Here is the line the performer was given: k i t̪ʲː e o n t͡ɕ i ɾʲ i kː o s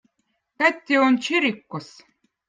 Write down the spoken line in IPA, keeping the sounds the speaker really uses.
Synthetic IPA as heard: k æ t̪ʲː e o n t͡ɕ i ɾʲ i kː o s

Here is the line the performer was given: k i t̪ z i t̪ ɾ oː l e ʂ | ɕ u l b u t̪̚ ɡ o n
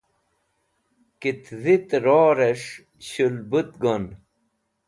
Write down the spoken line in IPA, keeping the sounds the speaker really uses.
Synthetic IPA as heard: k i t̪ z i t̪ ɾ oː ɾ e ʂ | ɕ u l b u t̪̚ ɡ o n

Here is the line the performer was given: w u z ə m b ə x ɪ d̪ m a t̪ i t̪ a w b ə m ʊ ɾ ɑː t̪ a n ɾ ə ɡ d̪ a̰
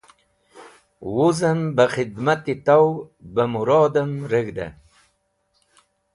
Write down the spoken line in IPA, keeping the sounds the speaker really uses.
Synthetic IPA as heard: w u z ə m b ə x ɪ d̪ m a t̪ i t̪ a w b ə m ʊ ɾ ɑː d̪ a m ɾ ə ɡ d̪ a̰

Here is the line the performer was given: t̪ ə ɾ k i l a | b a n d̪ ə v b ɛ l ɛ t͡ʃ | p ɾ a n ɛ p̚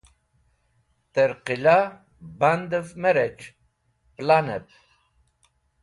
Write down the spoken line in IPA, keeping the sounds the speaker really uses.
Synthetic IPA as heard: t̪ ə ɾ q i l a | b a n d̪ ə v m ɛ ɾ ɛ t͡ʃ | p l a n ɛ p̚

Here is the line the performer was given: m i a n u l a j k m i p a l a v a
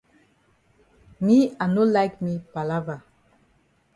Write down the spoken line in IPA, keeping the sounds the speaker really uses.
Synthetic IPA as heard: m i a n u l a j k m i p a l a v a

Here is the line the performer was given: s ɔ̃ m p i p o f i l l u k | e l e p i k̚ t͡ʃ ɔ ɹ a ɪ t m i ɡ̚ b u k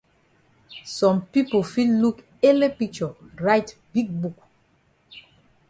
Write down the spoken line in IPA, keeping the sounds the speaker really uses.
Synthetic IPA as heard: s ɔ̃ m p i p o f i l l u k | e l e p i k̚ t͡ʃ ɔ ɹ a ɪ t b i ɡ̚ b u k

